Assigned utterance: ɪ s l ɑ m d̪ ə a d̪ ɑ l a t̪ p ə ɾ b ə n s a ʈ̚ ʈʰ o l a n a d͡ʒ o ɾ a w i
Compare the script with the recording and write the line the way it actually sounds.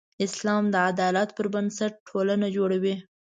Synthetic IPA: ɪ s l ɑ m d̪ ə a d̪ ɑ l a t̪ p ə ɾ b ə n s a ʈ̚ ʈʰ o l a n a d͡ʒ o ɽ a w i